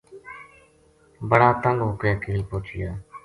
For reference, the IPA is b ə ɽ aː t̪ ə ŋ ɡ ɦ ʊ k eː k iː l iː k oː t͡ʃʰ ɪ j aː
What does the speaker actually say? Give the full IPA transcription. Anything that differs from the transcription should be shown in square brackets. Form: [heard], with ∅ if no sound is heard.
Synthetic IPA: b ə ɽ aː t̪ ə ŋ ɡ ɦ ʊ k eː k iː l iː [p] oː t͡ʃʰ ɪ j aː